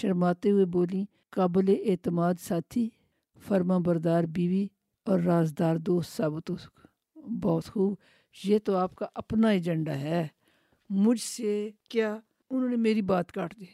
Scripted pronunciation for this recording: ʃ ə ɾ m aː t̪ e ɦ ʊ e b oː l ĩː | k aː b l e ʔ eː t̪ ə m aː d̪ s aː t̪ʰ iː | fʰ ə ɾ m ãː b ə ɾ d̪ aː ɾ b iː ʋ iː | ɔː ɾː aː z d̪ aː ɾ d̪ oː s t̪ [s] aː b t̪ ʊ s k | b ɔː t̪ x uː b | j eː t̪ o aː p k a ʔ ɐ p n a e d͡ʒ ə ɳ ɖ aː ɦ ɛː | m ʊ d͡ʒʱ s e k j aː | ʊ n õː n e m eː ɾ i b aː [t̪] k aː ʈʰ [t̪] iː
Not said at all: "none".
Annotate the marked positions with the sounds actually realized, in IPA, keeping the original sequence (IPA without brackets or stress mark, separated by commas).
s, t̪, d̪